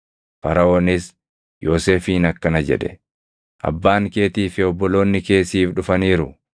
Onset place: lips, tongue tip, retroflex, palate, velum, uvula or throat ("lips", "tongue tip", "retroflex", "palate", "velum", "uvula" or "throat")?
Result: lips